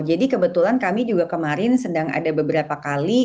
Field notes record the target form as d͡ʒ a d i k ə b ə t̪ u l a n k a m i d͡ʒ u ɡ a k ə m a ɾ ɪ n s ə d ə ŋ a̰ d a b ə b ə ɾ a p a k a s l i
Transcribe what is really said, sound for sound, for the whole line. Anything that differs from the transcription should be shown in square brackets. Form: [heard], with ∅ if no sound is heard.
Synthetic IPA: d͡ʒ a d i k ə b ə t̪ u l a n k a m i d͡ʒ u ɡ a k ə m a ɾ ɪ n s ə d [a] ŋ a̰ d a b ə b ə ɾ a p a k a [∅] l i